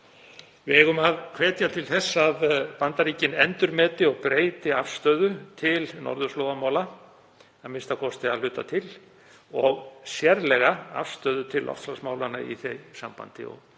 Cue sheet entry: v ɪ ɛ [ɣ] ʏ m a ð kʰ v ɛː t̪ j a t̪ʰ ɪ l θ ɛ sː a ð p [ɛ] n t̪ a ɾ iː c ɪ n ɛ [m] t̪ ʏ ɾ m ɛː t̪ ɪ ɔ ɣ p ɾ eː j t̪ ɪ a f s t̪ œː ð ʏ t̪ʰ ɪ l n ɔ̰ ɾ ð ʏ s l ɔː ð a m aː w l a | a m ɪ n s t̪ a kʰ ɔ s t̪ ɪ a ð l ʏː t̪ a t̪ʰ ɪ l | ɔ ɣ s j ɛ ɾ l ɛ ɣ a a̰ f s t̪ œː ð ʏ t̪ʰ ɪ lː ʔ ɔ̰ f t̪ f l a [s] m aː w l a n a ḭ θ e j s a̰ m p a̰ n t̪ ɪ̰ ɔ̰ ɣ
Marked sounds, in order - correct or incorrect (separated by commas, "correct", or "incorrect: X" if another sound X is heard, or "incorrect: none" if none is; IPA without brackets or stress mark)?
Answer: correct, incorrect: a, incorrect: n, correct